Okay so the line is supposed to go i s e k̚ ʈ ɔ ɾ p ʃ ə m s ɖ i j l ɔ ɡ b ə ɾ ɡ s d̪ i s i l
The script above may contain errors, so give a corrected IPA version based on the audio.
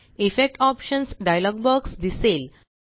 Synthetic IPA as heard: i f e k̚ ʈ ɔ p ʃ ə n s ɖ a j l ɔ ɡ b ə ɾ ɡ s d̪ i s e l